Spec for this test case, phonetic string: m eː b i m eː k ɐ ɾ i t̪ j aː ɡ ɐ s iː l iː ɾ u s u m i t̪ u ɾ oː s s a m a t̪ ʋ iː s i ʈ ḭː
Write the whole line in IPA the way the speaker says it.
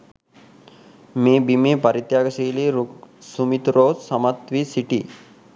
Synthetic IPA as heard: m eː b i m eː p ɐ ɾ i t̪ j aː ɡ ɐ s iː l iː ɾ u s u m i t̪ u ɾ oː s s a m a t̪ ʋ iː s i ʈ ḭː